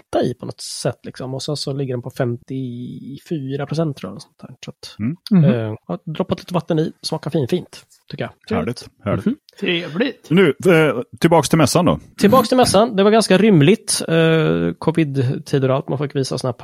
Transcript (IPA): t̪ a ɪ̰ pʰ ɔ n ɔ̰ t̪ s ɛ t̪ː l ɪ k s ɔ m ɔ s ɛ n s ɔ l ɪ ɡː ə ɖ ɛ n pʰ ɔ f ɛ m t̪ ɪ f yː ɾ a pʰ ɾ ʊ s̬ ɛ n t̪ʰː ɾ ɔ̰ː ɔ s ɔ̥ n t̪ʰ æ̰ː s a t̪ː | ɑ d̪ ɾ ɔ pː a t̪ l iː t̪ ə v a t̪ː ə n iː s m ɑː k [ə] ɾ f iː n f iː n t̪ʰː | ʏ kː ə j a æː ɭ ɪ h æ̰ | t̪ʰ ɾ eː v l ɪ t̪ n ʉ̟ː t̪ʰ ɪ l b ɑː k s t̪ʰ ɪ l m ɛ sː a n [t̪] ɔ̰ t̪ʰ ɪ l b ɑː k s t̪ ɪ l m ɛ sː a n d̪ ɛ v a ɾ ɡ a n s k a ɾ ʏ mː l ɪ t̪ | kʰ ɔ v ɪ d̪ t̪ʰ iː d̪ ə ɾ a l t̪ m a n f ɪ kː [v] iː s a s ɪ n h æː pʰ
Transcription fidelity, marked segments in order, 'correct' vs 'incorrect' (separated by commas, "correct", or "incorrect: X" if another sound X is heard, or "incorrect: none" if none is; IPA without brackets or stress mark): incorrect: a, incorrect: d̪, correct